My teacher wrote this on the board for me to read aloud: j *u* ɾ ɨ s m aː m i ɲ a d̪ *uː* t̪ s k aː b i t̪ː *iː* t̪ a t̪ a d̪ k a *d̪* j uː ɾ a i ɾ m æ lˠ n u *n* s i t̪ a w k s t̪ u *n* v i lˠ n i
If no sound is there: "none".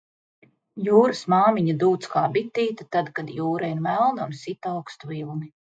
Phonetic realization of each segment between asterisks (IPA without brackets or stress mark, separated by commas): uː, uː, iː, d̪, n, none